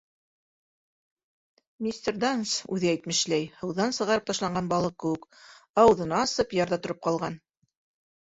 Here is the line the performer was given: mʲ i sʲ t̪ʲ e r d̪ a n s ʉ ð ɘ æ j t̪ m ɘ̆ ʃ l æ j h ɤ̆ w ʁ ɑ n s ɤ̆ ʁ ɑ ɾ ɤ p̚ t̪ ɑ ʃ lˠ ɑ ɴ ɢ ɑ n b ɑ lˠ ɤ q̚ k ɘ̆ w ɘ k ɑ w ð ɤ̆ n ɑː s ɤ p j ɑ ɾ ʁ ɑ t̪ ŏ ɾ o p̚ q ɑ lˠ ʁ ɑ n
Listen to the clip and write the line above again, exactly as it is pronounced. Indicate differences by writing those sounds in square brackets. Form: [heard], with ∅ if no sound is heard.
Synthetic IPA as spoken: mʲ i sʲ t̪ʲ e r d̪ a n s ʉ ð ɘ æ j t̪ m ɘ̆ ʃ l æ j h ɤ̆ w [ð] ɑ n s ɤ̆ ʁ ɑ ɾ ɤ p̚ t̪ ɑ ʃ lˠ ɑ ɴ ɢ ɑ n b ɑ lˠ ɤ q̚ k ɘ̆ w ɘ k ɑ w ð ɤ̆ n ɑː s ɤ p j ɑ ɾ [ð] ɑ t̪ ŏ ɾ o p̚ q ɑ lˠ ʁ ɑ n